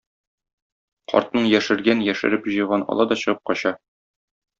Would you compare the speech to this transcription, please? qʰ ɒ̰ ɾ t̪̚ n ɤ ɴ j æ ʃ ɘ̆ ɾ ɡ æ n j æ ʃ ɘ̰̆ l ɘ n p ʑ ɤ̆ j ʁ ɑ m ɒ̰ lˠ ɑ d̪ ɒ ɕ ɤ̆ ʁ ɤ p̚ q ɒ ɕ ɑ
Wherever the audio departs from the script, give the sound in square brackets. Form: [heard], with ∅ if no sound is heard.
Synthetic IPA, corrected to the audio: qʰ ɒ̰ ɾ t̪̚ n ɤ ɴ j æ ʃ ɘ̆ ɾ ɡ æ n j æ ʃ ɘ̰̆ [ɾ] ɘ [∅] p ʑ ɤ̆ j ʁ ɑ [n] ɒ̰ lˠ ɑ d̪ ɒ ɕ ɤ̆ ʁ ɤ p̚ q ɒ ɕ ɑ